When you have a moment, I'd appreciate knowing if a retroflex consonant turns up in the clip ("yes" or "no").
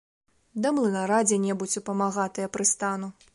no